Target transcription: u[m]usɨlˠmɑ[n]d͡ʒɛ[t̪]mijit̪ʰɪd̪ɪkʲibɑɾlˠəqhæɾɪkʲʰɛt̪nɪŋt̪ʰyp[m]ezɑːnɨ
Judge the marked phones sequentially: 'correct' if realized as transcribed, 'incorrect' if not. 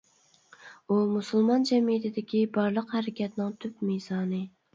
correct, correct, incorrect, correct

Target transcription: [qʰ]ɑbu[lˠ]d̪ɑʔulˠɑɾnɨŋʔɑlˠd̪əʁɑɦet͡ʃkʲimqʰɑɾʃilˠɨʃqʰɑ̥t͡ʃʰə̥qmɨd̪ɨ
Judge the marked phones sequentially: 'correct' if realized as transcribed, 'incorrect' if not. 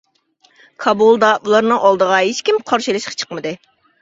incorrect, correct

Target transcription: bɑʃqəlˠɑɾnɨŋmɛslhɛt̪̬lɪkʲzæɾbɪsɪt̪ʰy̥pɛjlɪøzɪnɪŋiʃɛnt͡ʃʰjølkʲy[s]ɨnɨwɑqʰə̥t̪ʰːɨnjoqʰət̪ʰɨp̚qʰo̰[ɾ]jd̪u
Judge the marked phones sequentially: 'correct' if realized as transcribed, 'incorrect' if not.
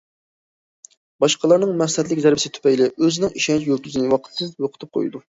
incorrect, incorrect

